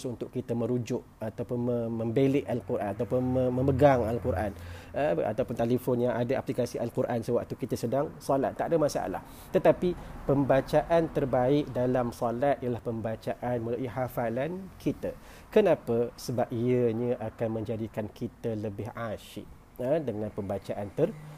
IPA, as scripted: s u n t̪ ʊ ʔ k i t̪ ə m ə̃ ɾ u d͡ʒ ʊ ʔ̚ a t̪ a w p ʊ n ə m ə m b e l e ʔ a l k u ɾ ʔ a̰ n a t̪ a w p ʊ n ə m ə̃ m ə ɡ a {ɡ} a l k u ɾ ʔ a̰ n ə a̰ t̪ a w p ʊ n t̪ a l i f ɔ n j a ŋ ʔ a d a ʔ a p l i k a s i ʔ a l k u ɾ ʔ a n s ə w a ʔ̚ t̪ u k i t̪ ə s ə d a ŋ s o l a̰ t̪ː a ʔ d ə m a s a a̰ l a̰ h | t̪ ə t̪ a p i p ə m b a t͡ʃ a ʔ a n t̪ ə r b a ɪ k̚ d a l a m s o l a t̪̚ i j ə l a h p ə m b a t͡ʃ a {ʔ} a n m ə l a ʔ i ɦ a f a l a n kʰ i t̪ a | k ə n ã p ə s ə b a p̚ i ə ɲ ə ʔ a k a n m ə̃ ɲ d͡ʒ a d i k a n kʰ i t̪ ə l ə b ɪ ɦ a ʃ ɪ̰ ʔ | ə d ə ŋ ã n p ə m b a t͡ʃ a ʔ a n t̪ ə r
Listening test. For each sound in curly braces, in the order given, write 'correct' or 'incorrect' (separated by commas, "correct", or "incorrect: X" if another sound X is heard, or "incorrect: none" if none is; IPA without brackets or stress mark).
incorrect: ŋ, correct